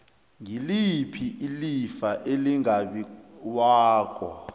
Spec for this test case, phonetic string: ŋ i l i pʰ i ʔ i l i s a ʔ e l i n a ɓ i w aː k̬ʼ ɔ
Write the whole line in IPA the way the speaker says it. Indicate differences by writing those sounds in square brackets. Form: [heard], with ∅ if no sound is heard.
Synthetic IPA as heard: ŋ i l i pʰ i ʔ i l i [f] a ʔ e l i [ŋ] a ɓ i w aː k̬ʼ ɔ